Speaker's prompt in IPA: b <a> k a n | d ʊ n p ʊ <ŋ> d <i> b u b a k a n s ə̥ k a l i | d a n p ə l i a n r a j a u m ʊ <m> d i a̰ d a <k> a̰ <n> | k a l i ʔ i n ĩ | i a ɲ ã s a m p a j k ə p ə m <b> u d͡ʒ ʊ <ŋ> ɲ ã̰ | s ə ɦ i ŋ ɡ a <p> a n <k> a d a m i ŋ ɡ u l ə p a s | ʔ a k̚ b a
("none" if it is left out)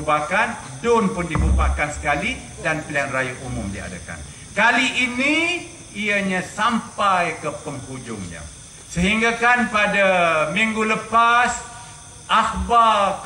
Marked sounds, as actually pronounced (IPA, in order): a, n, i, m, k, n, p, ŋ, k, p

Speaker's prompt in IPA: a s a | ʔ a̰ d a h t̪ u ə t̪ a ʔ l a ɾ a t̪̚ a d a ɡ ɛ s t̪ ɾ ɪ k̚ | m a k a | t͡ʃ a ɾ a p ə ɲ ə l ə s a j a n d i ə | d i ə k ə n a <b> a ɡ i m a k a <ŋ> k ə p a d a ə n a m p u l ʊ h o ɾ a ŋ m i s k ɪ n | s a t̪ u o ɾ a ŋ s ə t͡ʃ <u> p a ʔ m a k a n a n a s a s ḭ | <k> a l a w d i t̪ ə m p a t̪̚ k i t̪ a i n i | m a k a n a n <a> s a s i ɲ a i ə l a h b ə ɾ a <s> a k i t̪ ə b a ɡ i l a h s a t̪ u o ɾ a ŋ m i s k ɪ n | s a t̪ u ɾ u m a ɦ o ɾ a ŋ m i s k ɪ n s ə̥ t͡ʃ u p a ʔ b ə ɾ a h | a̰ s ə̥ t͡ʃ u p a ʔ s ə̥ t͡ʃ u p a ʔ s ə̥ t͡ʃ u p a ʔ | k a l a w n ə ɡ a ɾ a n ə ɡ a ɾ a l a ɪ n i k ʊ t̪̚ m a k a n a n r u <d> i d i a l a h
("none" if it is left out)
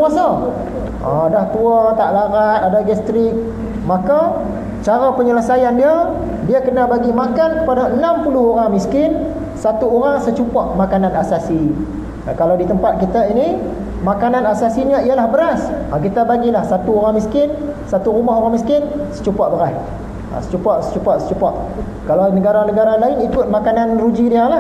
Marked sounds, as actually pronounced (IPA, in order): b, n, u, k, a, s, d͡ʒ

